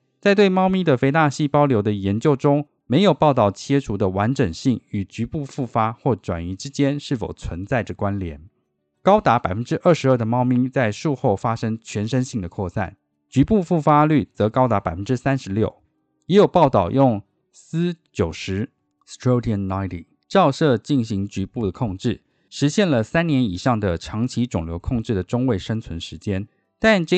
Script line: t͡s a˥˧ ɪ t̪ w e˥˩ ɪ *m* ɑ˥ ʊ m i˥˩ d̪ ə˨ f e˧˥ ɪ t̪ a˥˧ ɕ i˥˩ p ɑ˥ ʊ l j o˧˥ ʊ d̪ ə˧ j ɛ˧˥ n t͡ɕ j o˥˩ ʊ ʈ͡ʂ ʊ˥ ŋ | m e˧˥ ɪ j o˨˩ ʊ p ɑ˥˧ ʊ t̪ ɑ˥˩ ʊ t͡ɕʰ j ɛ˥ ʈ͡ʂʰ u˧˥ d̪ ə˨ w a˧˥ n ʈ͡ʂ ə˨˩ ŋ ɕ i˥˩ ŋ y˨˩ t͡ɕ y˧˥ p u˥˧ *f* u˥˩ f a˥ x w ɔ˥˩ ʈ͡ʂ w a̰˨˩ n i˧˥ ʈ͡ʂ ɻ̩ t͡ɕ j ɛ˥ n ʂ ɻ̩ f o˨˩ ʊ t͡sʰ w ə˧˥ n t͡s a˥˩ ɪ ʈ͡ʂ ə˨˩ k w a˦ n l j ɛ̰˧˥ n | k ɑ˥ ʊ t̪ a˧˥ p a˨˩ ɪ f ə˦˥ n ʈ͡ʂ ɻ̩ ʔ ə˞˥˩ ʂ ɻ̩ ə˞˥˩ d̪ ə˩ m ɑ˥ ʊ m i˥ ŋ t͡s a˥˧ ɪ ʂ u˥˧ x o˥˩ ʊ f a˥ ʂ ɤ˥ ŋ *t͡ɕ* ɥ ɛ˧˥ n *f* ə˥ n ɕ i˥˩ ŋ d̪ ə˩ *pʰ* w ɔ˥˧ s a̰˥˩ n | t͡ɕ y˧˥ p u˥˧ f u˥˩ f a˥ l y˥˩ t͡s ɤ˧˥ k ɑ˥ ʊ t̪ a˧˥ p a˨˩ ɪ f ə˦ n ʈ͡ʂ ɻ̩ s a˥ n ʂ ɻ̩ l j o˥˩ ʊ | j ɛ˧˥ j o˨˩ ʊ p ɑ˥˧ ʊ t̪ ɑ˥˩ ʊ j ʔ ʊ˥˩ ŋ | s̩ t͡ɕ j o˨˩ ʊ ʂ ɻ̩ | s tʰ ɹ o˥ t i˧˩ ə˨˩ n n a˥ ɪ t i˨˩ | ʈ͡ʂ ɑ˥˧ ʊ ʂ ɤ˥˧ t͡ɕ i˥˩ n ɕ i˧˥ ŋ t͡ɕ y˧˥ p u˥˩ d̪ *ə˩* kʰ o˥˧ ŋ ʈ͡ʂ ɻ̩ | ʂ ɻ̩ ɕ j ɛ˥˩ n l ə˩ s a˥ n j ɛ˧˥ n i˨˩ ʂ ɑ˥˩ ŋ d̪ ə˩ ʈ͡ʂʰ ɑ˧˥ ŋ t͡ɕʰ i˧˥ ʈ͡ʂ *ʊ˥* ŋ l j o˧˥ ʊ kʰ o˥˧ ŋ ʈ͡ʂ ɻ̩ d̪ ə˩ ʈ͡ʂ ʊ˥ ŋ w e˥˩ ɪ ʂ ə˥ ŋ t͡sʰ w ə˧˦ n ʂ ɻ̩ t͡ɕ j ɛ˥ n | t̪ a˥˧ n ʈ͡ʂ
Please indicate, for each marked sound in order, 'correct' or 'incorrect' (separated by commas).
correct, correct, incorrect, incorrect, incorrect, correct, incorrect